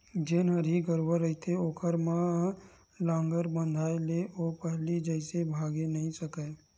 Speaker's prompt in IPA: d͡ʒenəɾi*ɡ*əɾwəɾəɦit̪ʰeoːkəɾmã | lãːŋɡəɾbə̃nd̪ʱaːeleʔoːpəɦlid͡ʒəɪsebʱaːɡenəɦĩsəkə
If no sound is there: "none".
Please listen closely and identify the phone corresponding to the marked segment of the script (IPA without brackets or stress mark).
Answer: ɡ